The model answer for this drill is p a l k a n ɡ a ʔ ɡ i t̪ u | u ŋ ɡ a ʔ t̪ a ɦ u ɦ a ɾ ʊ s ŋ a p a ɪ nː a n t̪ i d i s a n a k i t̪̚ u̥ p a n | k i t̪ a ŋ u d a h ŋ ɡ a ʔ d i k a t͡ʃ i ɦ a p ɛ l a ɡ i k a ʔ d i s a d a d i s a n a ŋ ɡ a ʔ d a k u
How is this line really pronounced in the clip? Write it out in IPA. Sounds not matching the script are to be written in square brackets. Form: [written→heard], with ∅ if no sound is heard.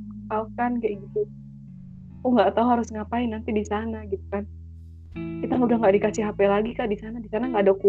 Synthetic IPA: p a l k a n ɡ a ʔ ɡ i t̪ u | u ŋ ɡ a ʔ t̪ a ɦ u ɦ a ɾ ʊ s ŋ a p a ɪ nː a n t̪ i d i s a n a [k→ɡ] i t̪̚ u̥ [p→k] a n | k i t̪ a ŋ u d a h ŋ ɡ a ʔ d i k a t͡ʃ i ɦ a p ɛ l a ɡ i k a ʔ d i s a [d→n] a d i s a n a ŋ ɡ a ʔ d a k u